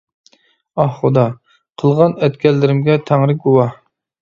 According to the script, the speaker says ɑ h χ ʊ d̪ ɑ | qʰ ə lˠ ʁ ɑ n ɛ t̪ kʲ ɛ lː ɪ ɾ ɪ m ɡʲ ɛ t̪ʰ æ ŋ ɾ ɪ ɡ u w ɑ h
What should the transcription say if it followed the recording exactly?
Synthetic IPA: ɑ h χ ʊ d̪ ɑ | qʰ ə lˠ ʁ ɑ n ɛ t̪ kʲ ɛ lː ɪ ɾ ɪ m ɡʲ ɛ t̪ʰ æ ŋ ɾ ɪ ɡ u w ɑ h